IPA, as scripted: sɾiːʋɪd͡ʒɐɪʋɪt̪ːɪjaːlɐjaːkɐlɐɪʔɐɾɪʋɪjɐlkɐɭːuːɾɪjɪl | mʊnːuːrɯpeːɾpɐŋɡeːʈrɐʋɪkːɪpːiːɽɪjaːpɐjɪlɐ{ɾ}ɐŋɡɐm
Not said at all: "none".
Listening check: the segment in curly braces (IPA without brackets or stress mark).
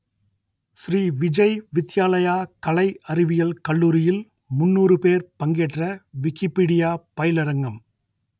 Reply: ɾ